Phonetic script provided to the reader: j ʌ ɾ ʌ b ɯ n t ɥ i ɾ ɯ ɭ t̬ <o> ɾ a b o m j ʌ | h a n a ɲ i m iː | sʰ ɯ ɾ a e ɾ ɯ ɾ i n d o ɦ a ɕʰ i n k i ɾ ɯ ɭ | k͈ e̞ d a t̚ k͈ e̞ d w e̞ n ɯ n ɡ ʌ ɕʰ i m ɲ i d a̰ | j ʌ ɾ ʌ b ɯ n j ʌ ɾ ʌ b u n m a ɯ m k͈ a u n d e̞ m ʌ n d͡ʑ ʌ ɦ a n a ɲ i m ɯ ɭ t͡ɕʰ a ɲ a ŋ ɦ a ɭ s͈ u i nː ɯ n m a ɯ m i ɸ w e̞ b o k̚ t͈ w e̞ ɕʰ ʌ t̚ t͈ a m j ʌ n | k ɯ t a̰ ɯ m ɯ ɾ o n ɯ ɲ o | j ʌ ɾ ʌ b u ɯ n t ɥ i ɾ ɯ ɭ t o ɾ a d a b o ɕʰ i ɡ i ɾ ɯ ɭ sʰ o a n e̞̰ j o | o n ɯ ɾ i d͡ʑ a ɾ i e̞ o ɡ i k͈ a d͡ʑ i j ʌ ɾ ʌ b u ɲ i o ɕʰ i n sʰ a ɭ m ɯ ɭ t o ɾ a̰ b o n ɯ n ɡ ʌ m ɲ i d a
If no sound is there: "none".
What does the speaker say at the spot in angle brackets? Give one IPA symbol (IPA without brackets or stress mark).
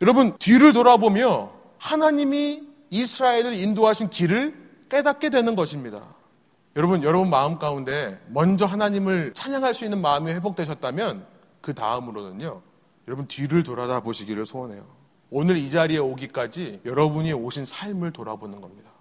o